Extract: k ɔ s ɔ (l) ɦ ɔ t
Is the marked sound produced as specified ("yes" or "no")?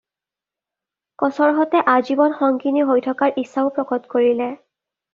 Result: no